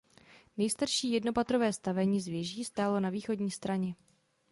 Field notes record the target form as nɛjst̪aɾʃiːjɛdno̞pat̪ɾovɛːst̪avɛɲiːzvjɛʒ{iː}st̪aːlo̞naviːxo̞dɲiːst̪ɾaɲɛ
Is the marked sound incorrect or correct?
correct